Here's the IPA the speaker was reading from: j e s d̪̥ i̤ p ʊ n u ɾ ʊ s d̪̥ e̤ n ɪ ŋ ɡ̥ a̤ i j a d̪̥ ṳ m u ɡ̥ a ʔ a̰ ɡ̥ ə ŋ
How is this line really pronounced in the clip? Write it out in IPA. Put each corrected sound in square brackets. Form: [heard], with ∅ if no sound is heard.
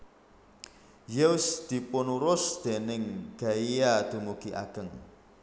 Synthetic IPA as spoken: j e s d̪̥ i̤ p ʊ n u ɾ ʊ s d̪̥ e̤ n ɪ ŋ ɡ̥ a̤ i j a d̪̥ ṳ m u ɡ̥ [i] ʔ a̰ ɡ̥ ə ŋ